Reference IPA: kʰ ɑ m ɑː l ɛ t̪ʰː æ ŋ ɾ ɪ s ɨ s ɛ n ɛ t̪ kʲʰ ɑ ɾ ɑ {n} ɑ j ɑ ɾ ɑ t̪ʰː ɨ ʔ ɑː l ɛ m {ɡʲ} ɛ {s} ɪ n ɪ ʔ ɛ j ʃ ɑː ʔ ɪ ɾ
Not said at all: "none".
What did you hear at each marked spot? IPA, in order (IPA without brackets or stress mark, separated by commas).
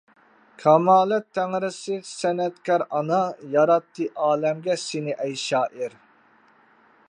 n, ɡʲ, s